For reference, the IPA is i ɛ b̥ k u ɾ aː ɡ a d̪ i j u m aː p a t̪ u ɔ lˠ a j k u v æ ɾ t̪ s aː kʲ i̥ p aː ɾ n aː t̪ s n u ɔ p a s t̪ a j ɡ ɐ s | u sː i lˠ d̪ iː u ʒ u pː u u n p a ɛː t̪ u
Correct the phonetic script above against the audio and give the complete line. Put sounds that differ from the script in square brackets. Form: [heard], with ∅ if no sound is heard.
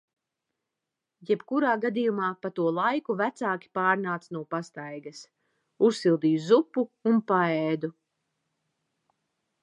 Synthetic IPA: [j] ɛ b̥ k u ɾ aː ɡ a d̪ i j u m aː p a t̪ u ɔ lˠ a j k u v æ [∅] t̪ s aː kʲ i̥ p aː ɾ n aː t̪ s n u ɔ p a s t̪ a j ɡ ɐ s | u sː i lˠ d̪ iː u [z] u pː u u n p a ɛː [d̪] u